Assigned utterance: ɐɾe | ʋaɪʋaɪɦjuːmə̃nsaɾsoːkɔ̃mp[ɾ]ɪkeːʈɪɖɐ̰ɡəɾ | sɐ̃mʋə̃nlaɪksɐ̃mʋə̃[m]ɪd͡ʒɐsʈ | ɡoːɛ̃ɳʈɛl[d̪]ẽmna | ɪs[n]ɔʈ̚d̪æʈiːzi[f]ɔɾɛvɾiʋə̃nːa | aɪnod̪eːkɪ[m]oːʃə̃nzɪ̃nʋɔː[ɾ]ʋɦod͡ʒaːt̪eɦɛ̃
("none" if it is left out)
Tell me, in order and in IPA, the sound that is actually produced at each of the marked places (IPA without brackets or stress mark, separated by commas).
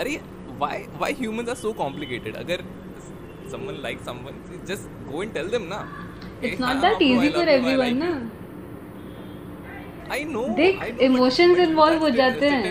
l, n, d̪, n, f, m, l